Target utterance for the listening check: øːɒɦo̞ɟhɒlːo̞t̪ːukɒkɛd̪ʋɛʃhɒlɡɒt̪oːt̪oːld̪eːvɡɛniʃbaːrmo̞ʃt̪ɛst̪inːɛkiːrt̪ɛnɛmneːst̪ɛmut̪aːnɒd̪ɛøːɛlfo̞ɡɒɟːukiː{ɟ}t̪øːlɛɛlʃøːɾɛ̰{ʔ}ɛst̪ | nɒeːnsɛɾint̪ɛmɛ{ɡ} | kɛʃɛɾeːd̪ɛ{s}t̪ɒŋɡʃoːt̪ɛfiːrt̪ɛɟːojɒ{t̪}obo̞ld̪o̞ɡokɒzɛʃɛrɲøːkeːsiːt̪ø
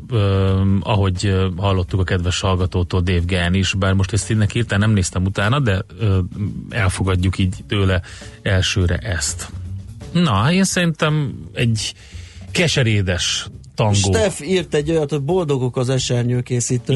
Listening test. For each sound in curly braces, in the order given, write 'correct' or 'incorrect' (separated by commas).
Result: correct, correct, incorrect, incorrect, correct